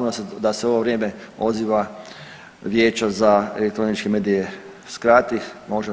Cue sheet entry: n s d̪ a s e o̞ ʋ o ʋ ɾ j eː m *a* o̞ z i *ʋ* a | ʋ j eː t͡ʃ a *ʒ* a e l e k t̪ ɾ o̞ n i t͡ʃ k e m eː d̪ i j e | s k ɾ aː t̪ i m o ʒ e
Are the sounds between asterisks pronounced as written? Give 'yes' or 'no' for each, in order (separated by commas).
no, yes, no